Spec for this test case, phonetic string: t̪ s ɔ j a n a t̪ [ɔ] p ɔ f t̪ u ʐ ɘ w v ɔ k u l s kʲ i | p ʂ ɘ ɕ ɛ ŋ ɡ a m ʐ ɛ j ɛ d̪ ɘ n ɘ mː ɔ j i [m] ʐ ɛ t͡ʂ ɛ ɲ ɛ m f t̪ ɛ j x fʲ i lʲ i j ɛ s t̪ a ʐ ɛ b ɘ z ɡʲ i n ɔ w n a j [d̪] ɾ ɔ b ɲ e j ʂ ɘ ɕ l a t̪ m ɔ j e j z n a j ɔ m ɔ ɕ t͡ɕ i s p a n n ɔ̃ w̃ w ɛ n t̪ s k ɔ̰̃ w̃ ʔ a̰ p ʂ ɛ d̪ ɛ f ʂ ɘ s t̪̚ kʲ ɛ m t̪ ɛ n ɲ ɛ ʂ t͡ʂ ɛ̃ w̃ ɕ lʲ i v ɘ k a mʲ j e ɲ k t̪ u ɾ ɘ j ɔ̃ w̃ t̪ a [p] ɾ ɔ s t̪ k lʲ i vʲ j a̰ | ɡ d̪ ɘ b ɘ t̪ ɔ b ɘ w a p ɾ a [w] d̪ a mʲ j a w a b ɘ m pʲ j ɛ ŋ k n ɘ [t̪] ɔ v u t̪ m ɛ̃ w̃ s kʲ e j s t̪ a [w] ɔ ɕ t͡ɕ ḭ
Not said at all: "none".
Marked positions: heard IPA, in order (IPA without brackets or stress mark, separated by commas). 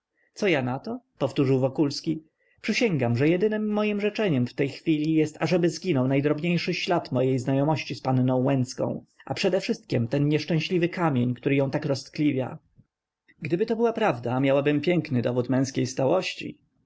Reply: ɔ, m, d̪, k, v, d̪, w